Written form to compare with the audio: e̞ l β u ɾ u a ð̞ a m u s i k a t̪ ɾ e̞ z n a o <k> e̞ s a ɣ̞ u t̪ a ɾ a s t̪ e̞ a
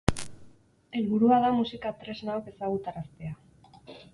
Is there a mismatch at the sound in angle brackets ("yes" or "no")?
no